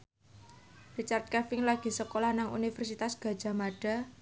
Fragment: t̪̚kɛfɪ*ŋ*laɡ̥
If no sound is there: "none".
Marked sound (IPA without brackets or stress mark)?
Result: ŋ